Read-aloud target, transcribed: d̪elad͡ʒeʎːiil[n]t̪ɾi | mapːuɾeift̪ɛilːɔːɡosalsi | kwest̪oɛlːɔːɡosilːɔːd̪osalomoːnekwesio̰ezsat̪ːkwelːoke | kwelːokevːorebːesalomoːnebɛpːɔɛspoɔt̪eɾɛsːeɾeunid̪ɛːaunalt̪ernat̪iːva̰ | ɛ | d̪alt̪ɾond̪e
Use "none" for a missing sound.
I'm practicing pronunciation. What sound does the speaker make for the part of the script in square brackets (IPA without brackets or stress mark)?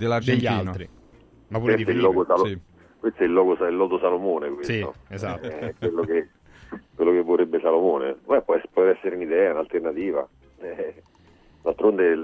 n